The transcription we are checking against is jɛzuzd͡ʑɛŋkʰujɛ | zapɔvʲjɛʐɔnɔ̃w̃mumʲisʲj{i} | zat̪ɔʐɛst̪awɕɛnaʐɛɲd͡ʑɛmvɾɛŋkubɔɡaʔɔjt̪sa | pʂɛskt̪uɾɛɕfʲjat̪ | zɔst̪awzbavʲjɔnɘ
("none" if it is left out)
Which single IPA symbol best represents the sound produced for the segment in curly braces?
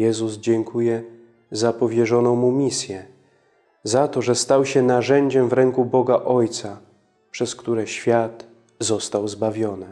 ɛ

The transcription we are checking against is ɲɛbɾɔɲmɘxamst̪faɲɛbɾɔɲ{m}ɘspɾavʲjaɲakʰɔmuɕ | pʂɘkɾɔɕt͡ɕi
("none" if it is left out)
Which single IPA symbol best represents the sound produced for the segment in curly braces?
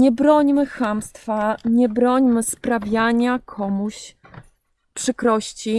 m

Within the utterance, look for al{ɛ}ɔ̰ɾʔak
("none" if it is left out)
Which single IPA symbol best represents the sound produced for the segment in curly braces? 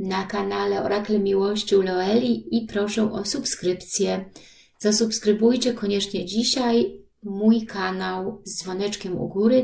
ɛ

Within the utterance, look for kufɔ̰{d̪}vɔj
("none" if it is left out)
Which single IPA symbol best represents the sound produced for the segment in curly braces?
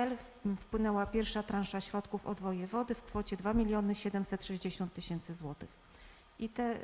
d̪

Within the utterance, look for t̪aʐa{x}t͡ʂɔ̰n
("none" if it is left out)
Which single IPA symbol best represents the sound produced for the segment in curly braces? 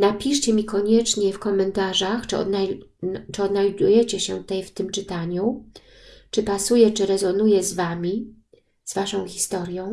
x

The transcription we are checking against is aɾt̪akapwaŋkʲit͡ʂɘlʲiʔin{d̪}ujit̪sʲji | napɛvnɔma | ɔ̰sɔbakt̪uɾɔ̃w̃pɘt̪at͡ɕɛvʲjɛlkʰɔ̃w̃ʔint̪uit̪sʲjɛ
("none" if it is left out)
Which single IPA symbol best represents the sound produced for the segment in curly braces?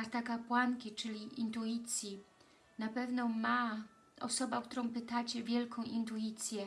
t̪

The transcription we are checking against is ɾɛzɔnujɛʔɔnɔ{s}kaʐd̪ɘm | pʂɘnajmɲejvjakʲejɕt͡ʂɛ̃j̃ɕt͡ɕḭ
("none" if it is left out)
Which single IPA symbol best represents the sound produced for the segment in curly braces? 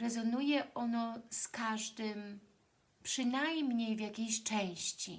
s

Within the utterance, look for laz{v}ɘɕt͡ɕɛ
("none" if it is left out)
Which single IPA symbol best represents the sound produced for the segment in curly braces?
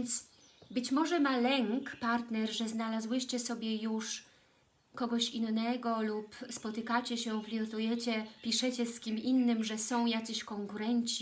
w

